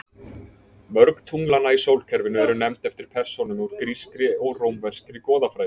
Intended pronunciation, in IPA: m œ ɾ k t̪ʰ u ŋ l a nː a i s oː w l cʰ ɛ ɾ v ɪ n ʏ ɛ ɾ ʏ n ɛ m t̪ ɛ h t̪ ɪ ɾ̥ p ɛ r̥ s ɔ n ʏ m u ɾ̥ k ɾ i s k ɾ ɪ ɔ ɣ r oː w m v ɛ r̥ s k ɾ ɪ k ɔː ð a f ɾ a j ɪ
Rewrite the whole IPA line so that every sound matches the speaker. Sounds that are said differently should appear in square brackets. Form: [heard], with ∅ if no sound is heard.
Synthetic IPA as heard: m œ ɾ k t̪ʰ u ŋ l a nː a i s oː w l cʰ ɛ ɾ v ɪ n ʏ ɛ ɾ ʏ n ɛ m t̪ ɛ [f] t̪ ɪ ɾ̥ [pʰ] ɛ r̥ s ɔ n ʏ m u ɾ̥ k ɾ i s k ɾ ɪ ɔ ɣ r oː w m v ɛ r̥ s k ɾ ɪ k ɔː ð a f ɾ a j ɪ